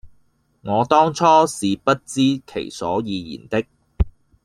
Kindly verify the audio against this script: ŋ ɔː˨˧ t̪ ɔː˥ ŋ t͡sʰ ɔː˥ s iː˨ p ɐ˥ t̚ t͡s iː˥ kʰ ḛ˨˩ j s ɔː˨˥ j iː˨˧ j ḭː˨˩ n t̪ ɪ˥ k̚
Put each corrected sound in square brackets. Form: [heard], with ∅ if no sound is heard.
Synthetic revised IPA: ŋ ɔː˨˧ t̪ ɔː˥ ŋ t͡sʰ ɔː˥ s iː˨ p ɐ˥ t̚ t͡s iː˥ kʰ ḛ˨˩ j s ɔː˨˥ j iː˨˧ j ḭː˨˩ n t̪ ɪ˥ k̚